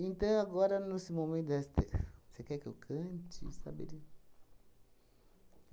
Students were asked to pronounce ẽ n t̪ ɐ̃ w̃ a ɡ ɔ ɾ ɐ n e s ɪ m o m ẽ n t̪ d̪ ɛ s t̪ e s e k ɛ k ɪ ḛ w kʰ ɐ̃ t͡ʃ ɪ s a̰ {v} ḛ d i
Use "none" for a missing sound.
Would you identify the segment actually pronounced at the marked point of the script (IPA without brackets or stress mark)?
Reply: b